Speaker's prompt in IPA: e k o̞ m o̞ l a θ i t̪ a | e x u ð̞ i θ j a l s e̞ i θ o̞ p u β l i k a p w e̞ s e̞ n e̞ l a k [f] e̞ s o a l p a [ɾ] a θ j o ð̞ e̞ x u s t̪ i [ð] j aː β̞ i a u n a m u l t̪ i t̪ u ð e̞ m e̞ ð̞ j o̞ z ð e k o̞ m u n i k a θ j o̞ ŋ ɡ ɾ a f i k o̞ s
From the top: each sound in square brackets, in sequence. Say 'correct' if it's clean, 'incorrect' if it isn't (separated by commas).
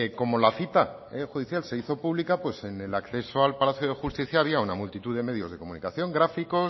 incorrect, incorrect, incorrect